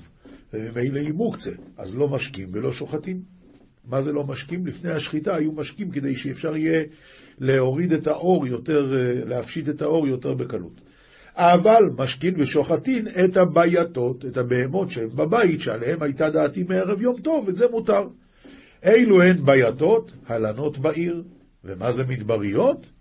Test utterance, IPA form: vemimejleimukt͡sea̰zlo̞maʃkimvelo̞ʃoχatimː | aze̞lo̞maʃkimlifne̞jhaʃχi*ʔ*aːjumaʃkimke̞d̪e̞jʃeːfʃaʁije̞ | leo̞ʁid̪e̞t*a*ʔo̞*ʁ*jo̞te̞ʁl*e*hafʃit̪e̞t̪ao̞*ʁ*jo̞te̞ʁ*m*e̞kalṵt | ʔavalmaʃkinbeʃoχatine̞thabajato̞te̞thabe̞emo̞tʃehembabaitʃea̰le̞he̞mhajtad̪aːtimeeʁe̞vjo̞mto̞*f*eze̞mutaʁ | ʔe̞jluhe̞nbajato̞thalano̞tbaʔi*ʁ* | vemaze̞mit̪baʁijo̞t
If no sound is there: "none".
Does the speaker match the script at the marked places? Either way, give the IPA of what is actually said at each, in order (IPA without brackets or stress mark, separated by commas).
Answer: t, a, ʁ, e, ʁ, b, v, ʁ